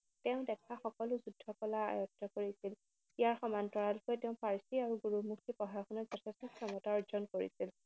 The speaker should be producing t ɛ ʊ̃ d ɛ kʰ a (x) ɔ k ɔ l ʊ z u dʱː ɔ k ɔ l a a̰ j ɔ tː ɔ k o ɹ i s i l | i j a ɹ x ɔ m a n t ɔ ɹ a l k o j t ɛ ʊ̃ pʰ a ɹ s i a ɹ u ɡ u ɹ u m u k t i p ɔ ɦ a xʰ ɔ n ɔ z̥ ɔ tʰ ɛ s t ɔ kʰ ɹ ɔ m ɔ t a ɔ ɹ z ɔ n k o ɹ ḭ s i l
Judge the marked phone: correct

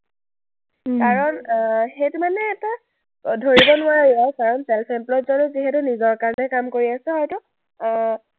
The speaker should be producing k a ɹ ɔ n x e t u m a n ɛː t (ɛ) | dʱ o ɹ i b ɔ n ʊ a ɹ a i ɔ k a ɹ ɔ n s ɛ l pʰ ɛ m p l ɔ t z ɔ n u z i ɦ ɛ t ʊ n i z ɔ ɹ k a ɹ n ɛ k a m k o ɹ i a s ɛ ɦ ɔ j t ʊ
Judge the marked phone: incorrect: a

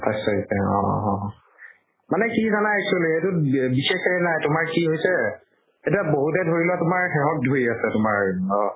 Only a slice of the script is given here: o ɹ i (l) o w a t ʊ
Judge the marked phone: correct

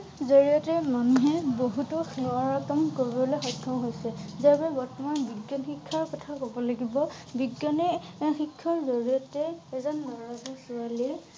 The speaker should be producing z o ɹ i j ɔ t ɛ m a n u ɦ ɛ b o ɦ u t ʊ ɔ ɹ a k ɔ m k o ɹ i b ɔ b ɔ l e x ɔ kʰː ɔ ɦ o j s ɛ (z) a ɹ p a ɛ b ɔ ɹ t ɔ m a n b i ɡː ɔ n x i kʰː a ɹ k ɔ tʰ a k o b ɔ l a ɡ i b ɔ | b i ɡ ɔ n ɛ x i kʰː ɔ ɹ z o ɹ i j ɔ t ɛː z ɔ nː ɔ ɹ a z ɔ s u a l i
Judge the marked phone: correct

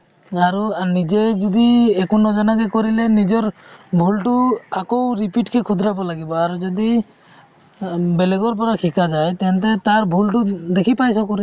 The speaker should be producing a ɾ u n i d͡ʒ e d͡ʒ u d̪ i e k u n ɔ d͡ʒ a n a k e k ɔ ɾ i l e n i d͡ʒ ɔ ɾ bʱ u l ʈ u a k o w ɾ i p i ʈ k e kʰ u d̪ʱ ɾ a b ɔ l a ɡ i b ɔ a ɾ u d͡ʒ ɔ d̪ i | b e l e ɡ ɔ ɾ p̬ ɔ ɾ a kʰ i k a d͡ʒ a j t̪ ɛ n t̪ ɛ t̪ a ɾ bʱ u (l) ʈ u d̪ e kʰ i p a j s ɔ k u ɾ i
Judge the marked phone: correct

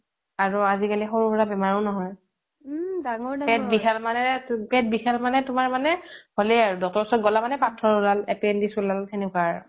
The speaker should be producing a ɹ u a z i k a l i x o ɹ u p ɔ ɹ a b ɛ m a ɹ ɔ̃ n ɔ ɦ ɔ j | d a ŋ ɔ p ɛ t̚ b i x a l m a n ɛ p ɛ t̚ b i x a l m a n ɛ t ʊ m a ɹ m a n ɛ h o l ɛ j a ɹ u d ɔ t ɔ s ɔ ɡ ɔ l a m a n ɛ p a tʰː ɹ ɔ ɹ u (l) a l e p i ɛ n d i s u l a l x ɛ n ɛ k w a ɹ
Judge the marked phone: correct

